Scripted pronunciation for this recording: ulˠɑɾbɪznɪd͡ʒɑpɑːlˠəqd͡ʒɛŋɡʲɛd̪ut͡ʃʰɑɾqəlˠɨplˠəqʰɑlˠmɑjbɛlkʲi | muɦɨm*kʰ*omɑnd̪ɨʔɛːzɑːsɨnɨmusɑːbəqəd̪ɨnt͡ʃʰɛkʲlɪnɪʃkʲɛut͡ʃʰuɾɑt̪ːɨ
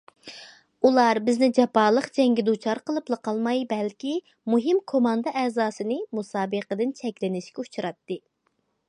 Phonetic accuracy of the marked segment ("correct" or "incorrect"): correct